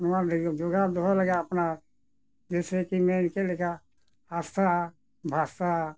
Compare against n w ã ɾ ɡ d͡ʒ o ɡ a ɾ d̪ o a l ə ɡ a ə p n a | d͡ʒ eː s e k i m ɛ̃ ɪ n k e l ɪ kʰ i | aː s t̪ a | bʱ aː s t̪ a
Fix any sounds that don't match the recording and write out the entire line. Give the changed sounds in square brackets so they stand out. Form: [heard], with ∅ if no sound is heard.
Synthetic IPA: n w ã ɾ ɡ d͡ʒ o ɡ a [∅] d̪ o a l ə ɡ a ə p n a | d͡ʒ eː s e k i m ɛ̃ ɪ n k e l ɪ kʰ [a] | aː s t̪ a | bʱ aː s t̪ a